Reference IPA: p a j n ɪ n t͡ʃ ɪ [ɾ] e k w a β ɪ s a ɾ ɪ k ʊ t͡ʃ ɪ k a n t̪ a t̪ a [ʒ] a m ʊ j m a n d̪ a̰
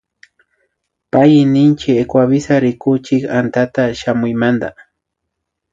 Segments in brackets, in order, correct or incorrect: incorrect: none, incorrect: ʃ

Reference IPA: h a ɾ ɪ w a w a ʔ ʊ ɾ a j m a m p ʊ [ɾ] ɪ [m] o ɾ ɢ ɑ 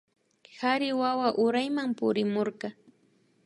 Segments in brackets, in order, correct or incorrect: correct, correct

